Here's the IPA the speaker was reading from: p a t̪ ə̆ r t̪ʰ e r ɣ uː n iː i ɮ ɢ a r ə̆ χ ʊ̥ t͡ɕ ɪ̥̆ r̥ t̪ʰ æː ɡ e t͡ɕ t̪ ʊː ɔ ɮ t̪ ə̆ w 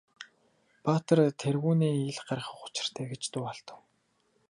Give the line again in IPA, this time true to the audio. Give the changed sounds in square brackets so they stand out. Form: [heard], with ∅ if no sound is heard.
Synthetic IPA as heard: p a t̪ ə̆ r t̪ʰ e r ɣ uː n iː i ɮ ɢ a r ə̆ χ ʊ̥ t͡ɕ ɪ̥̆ r̥ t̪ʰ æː ɡ e t͡ɕ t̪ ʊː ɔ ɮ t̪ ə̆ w